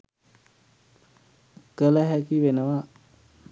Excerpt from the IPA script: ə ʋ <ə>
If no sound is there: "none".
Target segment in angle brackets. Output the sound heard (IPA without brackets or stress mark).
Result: a